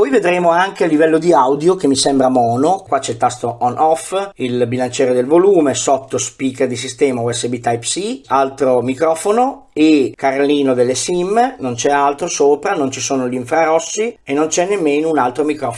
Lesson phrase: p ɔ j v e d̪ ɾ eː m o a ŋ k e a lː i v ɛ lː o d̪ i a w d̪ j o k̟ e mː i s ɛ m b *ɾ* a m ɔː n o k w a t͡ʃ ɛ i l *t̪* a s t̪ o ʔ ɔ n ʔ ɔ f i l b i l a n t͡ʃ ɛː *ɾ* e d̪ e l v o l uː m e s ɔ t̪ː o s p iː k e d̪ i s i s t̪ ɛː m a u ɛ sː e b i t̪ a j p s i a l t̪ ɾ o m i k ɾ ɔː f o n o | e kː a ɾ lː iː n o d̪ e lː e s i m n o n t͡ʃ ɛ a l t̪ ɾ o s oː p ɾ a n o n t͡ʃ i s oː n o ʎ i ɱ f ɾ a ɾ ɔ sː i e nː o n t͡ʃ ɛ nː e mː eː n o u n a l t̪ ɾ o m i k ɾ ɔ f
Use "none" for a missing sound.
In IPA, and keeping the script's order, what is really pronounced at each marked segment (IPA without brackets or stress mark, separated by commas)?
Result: ɾ, t̪, ɾ